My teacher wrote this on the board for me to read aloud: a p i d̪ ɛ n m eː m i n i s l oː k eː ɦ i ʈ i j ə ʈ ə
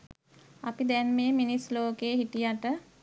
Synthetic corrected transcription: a p i d̪ ɛ n m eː m i n i s l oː k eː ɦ i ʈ i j a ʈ ə